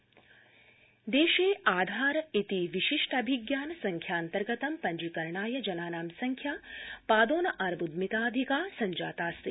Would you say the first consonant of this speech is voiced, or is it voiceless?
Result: voiced